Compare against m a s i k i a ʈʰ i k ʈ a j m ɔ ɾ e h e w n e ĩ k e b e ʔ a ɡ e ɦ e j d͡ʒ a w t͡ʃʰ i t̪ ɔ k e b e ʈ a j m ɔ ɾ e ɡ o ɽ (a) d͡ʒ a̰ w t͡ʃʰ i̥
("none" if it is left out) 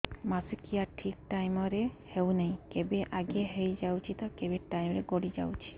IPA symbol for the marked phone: i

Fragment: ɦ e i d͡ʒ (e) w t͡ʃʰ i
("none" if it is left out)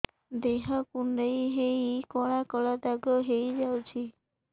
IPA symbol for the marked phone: a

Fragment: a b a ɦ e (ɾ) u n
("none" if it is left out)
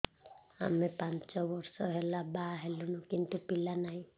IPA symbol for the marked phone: l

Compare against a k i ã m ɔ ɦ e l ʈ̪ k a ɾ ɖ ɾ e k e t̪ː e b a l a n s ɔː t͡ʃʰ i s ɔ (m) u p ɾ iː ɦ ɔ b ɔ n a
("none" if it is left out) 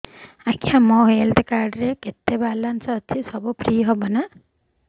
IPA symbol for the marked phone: b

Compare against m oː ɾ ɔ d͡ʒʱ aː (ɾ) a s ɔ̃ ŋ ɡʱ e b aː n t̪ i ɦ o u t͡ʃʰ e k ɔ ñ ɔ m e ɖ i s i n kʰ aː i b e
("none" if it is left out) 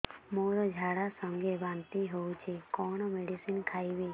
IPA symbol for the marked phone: ɽ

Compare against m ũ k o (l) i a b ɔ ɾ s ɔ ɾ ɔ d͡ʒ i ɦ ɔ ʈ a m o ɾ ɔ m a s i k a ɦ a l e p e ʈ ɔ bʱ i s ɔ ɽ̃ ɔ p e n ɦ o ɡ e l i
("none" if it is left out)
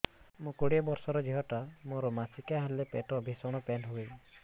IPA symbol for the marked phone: ɽ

